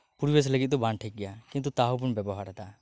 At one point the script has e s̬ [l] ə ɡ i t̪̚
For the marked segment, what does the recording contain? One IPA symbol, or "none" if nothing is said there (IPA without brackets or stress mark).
l